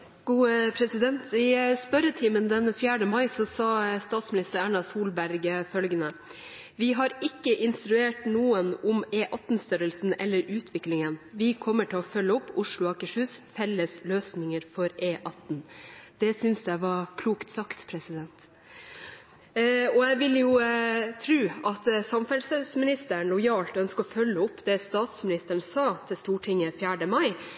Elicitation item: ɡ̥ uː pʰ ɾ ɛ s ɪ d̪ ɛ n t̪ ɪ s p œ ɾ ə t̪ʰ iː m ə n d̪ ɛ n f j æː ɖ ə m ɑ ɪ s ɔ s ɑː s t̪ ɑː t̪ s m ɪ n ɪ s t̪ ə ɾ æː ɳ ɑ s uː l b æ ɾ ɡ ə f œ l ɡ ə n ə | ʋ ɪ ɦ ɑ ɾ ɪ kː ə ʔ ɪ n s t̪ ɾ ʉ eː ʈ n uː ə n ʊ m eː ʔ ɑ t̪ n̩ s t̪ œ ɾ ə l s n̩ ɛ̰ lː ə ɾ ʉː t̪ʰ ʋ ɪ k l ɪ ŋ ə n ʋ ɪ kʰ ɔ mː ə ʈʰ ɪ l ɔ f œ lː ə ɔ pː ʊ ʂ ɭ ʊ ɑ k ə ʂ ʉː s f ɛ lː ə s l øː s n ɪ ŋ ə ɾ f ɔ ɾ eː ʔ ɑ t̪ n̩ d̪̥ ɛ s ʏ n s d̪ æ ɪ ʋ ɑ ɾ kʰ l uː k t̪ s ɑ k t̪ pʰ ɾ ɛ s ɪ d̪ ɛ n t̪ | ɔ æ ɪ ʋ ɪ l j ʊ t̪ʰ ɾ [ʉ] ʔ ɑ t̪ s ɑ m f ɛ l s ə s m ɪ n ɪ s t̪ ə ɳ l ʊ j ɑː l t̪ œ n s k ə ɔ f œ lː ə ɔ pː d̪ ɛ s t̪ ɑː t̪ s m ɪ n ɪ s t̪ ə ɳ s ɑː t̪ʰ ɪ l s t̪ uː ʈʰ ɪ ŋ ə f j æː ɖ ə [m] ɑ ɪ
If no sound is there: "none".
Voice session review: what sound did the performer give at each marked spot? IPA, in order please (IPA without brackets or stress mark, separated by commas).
ʉː, m